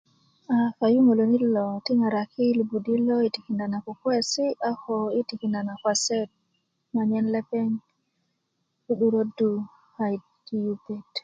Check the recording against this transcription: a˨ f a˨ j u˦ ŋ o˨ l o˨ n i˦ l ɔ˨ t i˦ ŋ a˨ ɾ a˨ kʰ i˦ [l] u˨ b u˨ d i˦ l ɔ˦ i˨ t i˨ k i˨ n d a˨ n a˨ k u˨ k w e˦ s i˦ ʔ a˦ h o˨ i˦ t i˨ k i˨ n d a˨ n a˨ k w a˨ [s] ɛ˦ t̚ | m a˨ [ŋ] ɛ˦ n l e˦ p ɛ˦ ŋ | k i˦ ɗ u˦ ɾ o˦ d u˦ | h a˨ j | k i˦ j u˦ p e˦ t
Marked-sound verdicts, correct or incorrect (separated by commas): correct, correct, incorrect